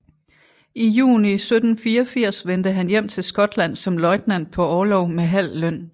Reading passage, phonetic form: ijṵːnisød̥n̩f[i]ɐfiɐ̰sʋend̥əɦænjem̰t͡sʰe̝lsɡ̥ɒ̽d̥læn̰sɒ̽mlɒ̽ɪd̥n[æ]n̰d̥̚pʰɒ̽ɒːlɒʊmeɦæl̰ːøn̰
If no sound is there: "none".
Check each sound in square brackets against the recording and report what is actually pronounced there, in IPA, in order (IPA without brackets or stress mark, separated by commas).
iː, æ